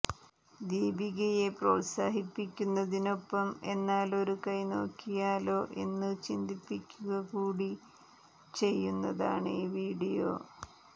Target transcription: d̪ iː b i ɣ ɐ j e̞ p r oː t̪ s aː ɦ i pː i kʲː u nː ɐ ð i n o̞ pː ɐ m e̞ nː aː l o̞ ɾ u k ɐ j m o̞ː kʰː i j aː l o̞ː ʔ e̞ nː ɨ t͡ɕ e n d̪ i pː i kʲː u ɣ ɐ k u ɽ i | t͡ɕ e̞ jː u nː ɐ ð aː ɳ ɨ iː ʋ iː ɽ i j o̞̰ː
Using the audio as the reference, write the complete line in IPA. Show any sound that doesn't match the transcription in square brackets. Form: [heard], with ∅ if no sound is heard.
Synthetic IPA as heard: d̪ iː b i ɣ ɐ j e̞ p r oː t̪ s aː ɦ i pː i kʲː u nː ɐ ð i n o̞ pː ɐ m e̞ nː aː l o̞ ɾ u k ɐ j [n] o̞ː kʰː i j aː l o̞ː ʔ e̞ nː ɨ t͡ɕ [i] n d̪ i pː i kʲː u ɣ ɐ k [uː] ɽ i | t͡ɕ e̞ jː u nː ɐ ð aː ɳ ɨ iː ʋ iː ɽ i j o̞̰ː